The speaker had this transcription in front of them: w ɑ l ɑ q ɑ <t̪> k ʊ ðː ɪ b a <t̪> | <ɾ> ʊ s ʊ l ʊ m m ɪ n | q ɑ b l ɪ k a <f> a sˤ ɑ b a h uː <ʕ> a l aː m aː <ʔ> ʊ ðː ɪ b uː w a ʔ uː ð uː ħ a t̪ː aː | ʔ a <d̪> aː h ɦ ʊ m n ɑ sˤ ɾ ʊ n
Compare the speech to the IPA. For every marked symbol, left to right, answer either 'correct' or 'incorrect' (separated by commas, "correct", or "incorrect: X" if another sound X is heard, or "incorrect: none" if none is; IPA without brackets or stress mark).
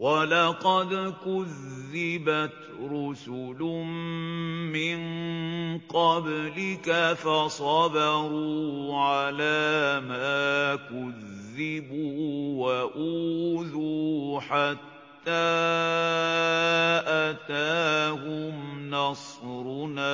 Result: incorrect: d̪, correct, correct, correct, correct, incorrect: k, incorrect: t̪